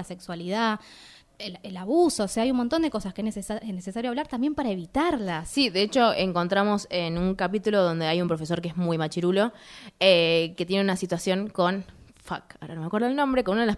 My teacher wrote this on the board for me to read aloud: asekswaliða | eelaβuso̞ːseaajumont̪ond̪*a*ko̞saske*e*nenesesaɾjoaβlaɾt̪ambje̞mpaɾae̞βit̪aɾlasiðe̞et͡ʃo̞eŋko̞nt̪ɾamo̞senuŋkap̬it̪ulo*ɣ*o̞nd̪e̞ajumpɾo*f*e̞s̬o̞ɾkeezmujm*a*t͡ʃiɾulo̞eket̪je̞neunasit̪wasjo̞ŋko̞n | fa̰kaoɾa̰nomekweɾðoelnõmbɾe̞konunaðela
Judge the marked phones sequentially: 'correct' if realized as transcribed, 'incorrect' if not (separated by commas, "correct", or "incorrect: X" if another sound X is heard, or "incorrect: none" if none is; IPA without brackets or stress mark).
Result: incorrect: e, correct, incorrect: ð, correct, correct